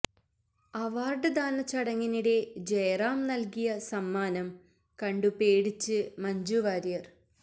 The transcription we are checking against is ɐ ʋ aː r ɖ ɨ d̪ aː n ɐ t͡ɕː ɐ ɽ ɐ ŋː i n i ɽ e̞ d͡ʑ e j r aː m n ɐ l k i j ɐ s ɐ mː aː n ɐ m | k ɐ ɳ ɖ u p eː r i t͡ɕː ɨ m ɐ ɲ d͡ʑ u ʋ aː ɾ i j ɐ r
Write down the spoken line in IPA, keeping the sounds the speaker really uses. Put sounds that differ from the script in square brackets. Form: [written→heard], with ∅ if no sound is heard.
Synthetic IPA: ɐ ʋ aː r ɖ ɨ d̪ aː n ɐ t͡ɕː ɐ ɽ ɐ ŋː i n i ɽ e̞ d͡ʑ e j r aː m n ɐ l k i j ɐ s ɐ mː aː n ɐ m | k ɐ ɳ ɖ u p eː [r→ɽ] i t͡ɕː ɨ m ɐ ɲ d͡ʑ u ʋ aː ɾ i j ɐ r